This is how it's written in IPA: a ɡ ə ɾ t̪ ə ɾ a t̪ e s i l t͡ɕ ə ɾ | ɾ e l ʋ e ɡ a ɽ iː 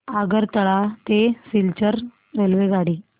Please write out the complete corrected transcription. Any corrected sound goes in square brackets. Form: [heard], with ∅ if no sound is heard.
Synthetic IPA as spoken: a ɡ ə ɾ t̪ ə [ɭ] a t̪ e s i l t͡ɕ ə ɾ | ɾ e l ʋ e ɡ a ɽ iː